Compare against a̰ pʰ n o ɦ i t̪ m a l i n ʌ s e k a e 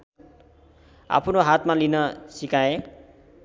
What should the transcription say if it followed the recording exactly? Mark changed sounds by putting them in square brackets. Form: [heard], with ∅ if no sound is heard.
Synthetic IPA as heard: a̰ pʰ n o ɦ [a] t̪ m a l i n ʌ s [i] k a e